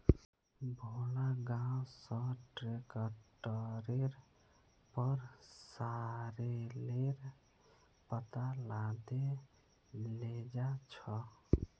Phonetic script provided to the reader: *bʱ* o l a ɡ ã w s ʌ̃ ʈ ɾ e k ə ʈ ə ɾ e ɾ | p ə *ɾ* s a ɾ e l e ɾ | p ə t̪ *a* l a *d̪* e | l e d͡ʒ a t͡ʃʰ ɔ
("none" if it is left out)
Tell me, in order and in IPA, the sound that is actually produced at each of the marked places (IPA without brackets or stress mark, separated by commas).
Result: bʱ, ɾ, a, d̪